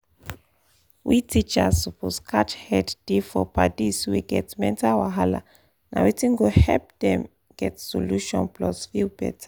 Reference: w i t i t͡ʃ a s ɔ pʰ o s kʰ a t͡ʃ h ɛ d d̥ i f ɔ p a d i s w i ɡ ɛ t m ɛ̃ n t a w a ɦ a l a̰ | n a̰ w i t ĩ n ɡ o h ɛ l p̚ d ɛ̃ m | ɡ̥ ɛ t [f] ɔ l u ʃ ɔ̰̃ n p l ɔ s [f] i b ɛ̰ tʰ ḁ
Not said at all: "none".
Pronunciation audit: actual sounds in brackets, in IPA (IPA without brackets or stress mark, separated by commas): s, f